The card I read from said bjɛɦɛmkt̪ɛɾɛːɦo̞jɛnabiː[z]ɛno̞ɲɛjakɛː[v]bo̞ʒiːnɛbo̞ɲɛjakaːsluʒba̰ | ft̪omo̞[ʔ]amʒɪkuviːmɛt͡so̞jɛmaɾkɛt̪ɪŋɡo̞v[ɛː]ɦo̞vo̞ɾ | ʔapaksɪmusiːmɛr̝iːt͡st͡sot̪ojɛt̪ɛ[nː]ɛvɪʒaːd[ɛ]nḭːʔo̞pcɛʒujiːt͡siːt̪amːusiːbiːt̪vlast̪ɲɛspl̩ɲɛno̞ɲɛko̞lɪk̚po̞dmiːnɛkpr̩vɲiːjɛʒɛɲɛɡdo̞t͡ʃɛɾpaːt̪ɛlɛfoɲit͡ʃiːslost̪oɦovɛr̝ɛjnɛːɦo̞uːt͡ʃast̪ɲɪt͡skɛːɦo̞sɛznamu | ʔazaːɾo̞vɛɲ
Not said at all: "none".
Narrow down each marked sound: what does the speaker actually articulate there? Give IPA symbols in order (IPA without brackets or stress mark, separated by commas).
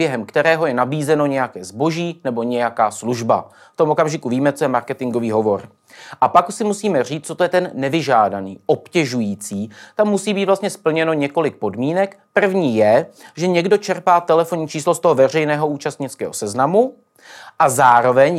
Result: z, z, k, iː, nː, a